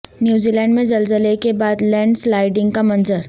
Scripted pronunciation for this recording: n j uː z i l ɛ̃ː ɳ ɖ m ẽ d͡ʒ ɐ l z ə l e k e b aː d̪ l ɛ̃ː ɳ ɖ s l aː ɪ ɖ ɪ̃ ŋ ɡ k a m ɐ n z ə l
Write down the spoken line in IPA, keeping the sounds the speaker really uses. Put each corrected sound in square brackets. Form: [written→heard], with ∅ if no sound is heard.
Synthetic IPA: n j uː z i l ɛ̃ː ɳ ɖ m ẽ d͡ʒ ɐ l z ə l e k e b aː d̪ l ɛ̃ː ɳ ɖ s l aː ɪ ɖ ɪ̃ ŋ ɡ k a m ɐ n z ə [l→ɾ]